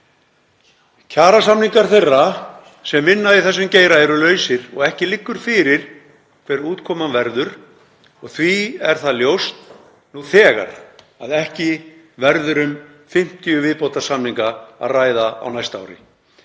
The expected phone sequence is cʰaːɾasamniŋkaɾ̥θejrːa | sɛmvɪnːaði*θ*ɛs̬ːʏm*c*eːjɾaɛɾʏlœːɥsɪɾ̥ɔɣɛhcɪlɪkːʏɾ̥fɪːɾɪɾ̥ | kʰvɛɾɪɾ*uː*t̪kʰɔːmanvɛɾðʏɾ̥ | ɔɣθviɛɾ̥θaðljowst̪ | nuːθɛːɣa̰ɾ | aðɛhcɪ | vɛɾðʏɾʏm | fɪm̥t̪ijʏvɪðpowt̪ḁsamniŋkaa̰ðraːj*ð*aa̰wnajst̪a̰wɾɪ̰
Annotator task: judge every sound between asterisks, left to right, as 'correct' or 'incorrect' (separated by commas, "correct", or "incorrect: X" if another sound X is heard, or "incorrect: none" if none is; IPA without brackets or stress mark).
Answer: correct, correct, correct, correct